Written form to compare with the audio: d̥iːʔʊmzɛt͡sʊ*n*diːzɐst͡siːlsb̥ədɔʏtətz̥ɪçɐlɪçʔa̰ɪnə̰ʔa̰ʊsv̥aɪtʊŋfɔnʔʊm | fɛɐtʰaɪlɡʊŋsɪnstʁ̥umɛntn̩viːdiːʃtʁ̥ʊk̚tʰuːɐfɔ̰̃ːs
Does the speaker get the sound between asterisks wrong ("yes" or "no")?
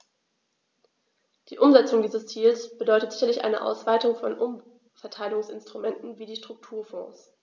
yes